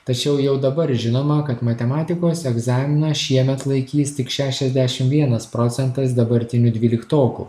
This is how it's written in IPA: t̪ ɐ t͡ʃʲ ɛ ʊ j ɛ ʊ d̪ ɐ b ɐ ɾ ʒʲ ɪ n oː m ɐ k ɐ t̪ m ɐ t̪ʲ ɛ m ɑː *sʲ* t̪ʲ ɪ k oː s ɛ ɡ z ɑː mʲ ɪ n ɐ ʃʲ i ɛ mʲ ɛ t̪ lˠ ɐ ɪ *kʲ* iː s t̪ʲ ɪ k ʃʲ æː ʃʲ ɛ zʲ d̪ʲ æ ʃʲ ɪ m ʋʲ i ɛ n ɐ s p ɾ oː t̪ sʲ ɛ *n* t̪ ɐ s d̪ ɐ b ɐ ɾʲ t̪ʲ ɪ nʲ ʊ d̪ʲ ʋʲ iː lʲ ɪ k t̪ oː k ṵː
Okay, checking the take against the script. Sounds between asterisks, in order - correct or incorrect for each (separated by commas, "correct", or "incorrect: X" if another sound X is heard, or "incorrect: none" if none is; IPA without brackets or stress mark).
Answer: incorrect: none, correct, correct